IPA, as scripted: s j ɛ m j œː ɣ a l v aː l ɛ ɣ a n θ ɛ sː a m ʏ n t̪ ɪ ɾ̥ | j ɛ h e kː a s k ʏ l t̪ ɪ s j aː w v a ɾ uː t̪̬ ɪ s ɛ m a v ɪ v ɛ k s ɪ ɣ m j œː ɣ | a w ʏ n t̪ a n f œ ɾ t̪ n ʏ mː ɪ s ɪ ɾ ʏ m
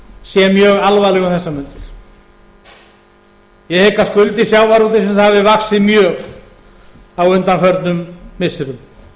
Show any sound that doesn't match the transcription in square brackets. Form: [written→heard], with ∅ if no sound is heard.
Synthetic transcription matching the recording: s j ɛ m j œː ɣ a l v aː l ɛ ɣ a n θ ɛ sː a m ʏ n t̪ ɪ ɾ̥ | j ɛ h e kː a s k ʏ l t̪ ɪ s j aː w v a ɾ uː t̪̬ ɪ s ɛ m a v ɪ v [ɛ→a] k s ɪ [ɣ→ð] m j œː ɣ | a w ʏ n t̪ a n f œ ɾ t̪ n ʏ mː ɪ s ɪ ɾ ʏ m